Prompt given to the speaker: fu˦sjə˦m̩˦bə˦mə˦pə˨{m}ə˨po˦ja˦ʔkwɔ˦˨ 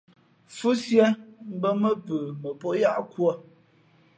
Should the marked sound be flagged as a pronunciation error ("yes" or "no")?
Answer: no